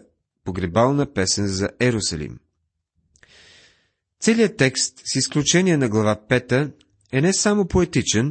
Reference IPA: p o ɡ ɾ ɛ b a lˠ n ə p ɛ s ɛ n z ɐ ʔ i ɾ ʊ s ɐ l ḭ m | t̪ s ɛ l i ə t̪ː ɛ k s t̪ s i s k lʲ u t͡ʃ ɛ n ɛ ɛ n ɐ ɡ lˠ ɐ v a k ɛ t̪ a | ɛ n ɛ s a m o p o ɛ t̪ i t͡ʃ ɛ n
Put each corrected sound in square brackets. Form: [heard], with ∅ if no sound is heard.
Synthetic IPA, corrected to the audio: p o ɡ ɾ ɛ b a lˠ n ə p ɛ s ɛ n z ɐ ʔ [ɛ] ɾ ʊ s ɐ l ḭ m | t̪ s ɛ l i ə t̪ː ɛ k s t̪ s i s k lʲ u t͡ʃ ɛ n [i] ɛ n ɐ ɡ lˠ ɐ v a [p] ɛ t̪ [ə] | ɛ n ɛ s a m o p o ɛ t̪ i t͡ʃ ɛ n